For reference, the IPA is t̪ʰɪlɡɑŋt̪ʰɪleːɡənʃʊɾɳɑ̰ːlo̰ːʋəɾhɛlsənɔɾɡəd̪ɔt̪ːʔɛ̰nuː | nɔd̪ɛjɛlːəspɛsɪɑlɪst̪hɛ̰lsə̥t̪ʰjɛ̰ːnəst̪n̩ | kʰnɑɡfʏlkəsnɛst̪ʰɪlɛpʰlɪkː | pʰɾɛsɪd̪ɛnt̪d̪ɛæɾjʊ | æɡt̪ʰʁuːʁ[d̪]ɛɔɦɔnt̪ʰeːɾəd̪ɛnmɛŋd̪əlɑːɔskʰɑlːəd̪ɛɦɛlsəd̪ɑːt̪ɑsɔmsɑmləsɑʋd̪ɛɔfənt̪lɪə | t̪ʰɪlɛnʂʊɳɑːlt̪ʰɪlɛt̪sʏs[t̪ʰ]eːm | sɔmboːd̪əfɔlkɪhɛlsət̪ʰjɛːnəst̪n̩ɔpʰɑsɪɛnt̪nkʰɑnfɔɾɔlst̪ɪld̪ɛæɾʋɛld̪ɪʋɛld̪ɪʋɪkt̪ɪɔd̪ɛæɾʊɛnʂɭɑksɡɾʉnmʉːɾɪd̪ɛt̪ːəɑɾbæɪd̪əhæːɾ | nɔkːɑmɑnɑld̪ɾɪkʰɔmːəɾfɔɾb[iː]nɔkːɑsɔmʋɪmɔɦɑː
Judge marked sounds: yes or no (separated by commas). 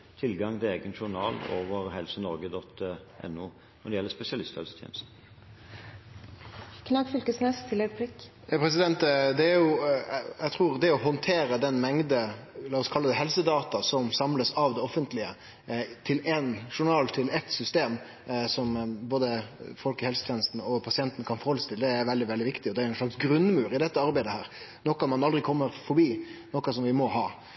yes, no, yes